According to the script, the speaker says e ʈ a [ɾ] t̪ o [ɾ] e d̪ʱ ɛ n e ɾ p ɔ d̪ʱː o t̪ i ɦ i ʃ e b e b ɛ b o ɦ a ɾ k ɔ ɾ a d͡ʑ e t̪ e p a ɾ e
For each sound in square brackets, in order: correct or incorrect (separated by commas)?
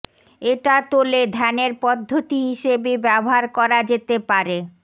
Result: incorrect, incorrect